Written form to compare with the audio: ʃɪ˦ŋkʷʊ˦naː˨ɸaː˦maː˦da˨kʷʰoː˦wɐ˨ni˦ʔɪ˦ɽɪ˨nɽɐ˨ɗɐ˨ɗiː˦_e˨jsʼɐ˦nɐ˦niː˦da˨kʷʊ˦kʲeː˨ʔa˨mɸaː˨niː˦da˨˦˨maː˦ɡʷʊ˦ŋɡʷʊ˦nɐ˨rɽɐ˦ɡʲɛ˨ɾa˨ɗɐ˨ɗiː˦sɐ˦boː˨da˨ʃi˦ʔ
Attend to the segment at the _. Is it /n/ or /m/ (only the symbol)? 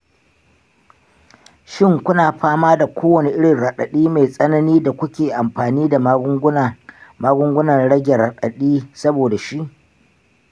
m